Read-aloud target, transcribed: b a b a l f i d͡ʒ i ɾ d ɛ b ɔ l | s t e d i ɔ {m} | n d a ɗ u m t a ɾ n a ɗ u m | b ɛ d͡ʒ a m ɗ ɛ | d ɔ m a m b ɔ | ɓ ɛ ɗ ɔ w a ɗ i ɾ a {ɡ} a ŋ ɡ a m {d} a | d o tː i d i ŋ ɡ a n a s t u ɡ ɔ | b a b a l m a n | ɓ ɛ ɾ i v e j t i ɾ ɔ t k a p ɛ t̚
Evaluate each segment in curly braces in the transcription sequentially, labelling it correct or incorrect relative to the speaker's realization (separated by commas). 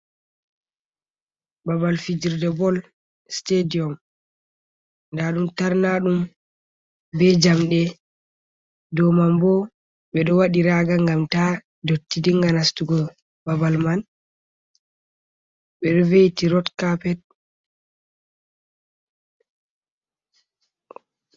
correct, correct, incorrect